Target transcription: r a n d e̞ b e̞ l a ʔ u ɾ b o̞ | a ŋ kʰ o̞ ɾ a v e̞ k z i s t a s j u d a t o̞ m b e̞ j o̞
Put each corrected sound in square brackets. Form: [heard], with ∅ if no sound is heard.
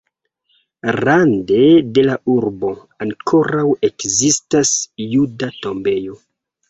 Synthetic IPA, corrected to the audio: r a n d e̞ [d] e̞ l a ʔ u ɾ b o̞ | a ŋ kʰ o̞ ɾ a [w] e̞ k z i s t a s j u d a t o̞ m b e̞ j o̞

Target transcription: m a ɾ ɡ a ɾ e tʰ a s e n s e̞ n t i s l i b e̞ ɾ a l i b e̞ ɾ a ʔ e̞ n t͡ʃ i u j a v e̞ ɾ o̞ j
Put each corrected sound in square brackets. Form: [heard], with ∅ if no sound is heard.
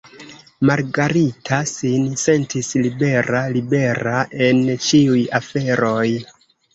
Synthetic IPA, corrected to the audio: m a ɾ ɡ a ɾ [i] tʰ a s [i] n s e̞ n t i s l i b e̞ ɾ a l i b e̞ ɾ a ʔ e̞ n t͡ʃ i u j a [f] e̞ ɾ o̞ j

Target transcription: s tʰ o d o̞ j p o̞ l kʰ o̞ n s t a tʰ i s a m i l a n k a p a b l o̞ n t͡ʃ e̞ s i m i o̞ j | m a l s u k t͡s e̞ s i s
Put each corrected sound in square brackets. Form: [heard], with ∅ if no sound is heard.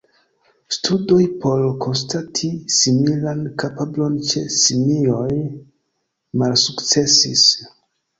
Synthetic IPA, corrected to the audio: s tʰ [u] d o̞ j p o̞ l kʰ o̞ n s t a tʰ i s [i] m i l a n k a p a b l o̞ n t͡ʃ e̞ s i m i o̞ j | m a l s u k t͡s e̞ s i s

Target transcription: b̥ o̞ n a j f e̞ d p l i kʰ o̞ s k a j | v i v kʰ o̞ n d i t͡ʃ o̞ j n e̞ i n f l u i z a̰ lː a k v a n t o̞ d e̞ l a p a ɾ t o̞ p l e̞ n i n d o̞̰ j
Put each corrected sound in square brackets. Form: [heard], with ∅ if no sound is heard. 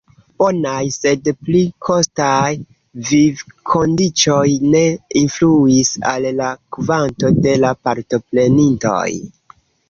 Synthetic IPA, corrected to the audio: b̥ o̞ n a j [s] e̞ d p l i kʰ o̞ s [t] a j | v i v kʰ o̞ n d i t͡ʃ o̞ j n e̞ i n f l u i [s] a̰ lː a k v a n t o̞ d e̞ l a p a ɾ t o̞ p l e̞ n i n [t] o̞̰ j

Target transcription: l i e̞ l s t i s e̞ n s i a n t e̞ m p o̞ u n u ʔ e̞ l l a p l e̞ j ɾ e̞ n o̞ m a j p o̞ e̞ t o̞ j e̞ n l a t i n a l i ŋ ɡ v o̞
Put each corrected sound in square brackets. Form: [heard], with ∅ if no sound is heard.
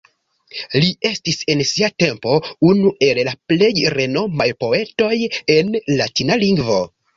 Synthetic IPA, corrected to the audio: l i e̞ [∅] s t i s e̞ n s i a [∅] t e̞ m p o̞ u n u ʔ e̞ l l a p l e̞ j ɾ e̞ n o̞ m a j p o̞ e̞ t o̞ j e̞ n l a t i n a l i ŋ ɡ v o̞

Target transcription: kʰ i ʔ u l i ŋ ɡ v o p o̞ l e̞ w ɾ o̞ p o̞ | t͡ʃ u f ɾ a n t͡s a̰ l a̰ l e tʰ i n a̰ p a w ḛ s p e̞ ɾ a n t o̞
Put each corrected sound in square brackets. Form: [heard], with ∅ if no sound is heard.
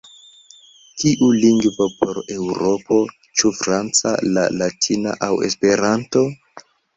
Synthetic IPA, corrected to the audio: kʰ i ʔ u l i ŋ ɡ v o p o̞ [ɾ] e̞ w ɾ o̞ p o̞ | t͡ʃ u f ɾ a n t͡s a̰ l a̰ l [a] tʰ i n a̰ [ʔ] a w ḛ s p e̞ ɾ a n t o̞

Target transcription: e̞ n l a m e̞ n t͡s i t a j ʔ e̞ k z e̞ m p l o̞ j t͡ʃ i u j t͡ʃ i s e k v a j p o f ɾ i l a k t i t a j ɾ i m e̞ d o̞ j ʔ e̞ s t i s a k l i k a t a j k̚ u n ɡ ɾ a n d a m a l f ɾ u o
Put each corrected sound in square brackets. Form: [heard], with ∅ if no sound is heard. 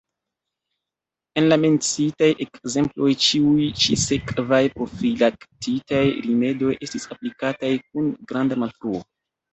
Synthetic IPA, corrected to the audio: e̞ n l a m e̞ n t͡s i t a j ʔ e̞ k z e̞ m p l o̞ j t͡ʃ i u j t͡ʃ i s e k v a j p o f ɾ i l a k t i t a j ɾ i m e̞ d o̞ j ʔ e̞ s t i s a [p] l i k a t a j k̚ u n ɡ ɾ a n d a m a l f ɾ u o

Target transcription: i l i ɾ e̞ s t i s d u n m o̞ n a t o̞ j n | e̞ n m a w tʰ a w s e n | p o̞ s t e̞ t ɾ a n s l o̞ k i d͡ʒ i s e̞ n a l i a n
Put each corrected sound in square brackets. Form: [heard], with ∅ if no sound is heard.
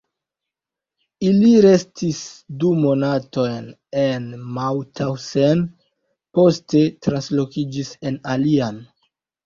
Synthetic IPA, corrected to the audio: i l i ɾ e̞ s t i s d u [∅] m o̞ n a t o̞ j n | e̞ n m a w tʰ a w s e n | p o̞ s t e̞ t ɾ a n s l o̞ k i d͡ʒ i s e̞ n a l i a n

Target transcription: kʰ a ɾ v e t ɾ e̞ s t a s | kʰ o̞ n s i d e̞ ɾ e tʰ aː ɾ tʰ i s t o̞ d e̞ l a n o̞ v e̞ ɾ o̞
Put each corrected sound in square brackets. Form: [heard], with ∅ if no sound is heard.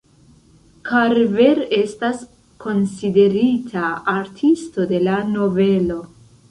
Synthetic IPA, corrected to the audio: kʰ a ɾ v e [∅] ɾ e̞ s t a s | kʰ o̞ n s i d e̞ ɾ [i] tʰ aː ɾ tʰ i s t o̞ d e̞ l a n o̞ v e̞ [l] o̞

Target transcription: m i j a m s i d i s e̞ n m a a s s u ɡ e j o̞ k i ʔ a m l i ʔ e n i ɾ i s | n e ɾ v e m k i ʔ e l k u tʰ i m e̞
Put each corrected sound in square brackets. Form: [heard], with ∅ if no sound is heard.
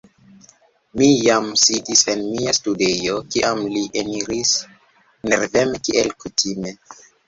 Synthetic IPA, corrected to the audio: m i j a m s i d i s e̞ n m [i] a s [t] u [d] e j o̞ k i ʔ a m l i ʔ e n i ɾ i s | n e ɾ v e m k i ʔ e l k u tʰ i m e̞

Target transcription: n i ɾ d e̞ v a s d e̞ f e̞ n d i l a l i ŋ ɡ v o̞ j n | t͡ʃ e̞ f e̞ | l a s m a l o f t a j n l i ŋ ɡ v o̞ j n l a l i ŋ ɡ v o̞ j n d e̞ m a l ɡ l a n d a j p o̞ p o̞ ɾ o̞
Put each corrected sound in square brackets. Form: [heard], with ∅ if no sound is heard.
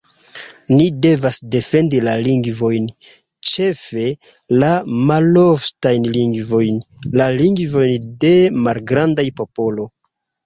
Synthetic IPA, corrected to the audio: n i [∅] d e̞ v a s d e̞ f e̞ n d i l a l i ŋ ɡ v o̞ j n | t͡ʃ e̞ f e̞ | l a [∅] m a l o f t a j n l i ŋ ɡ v o̞ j n l a l i ŋ ɡ v o̞ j n d e̞ m a l ɡ [ɾ] a n d a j p o̞ p o̞ [l] o̞

